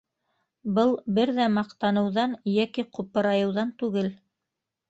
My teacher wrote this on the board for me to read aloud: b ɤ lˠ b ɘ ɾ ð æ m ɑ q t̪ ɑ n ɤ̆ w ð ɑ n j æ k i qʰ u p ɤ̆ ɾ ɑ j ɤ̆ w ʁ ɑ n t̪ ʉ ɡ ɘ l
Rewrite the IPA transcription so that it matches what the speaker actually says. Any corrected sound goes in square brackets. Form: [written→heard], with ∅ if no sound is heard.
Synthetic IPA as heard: b ɤ lˠ b ɘ ɾ ð æ m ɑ q t̪ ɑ n ɤ̆ w ð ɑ n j æ k i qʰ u p ɤ̆ ɾ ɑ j ɤ̆ w [ʁ→ð] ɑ n t̪ ʉ ɡ ɘ l

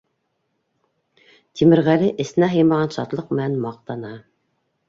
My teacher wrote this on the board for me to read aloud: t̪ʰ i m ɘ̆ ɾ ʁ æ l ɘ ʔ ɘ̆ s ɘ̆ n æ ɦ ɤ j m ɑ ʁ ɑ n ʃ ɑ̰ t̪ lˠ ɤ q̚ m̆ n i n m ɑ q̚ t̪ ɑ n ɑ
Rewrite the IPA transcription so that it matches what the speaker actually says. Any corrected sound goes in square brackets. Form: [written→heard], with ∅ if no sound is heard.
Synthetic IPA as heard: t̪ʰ i m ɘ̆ ɾ ʁ æ l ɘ ʔ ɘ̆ s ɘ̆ n æ ɦ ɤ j m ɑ ʁ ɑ n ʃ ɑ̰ t̪ lˠ ɤ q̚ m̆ n [i→æ] n m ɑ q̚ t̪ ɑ n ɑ

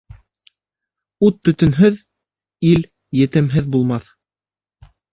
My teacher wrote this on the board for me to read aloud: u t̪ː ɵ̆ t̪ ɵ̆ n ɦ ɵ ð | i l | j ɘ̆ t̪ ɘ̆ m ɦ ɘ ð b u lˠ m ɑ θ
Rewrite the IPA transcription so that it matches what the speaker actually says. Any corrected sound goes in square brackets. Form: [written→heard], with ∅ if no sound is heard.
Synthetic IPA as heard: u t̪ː ɵ̆ t̪ ɵ̆ n ɦ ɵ ð | i l | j ɘ̆ t̪ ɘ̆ m ɦ ɘ ð b u lˠ m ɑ θ

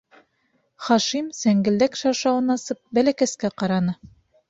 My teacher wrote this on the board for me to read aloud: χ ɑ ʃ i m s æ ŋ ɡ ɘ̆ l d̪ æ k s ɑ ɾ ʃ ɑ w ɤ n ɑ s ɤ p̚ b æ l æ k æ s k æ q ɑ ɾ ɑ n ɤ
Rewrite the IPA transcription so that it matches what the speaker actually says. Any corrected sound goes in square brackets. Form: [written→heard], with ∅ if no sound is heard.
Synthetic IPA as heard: χ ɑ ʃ i m s æ ŋ ɡ ɘ̆ l d̪ æ k [s→ʃ] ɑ ɾ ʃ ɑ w ɤ n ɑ s ɤ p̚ b æ l æ k æ s k æ q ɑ ɾ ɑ n ɤ

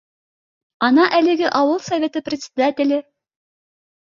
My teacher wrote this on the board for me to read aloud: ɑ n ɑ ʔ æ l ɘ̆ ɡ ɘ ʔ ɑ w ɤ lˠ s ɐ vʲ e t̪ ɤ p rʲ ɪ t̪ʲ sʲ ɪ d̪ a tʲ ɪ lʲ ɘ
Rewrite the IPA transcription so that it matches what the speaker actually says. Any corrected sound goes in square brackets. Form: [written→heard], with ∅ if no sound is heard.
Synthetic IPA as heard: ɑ n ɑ ʔ æ l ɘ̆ ɡ ɘ ʔ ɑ w ɤ lˠ s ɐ vʲ e t̪ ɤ p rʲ ɪ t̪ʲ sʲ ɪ d̪ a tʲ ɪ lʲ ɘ

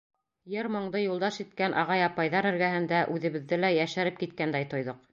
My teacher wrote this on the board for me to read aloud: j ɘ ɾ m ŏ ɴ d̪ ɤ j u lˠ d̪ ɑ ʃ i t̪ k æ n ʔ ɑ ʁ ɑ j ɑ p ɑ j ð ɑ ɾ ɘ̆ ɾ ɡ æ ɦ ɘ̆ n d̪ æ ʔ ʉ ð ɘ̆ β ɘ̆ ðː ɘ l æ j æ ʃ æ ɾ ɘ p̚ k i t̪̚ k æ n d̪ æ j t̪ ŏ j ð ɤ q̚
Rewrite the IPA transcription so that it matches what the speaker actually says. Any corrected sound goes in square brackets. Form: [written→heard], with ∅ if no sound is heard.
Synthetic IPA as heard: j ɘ ɾ m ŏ ɴ d̪ ɤ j u lˠ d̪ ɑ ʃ i t̪ k æ n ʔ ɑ ʁ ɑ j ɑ p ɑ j ð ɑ ɾ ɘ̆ ɾ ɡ æ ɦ ɘ̆ n d̪ æ ʔ ʉ ð ɘ̆ β ɘ̆ ðː ɘ l æ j æ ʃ æ ɾ ɘ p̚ k i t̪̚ k æ n d̪ æ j t̪ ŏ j ð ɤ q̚

